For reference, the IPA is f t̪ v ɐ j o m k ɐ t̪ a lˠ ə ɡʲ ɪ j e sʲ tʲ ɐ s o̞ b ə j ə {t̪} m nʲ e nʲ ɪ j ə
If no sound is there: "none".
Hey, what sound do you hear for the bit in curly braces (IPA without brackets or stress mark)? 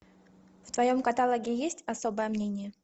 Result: none